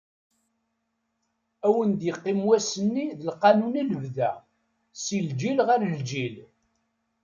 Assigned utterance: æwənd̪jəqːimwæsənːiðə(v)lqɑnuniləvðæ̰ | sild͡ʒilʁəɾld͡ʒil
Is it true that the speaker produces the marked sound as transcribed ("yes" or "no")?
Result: no